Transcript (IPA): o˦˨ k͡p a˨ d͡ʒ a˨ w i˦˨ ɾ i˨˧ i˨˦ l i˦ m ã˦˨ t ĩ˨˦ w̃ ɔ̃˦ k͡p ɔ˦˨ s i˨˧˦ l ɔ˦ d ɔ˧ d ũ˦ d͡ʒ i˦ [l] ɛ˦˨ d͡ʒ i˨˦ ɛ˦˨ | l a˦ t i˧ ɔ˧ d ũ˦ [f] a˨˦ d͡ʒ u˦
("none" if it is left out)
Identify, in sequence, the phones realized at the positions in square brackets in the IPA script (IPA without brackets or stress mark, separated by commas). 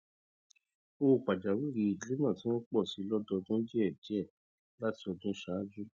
none, ʃ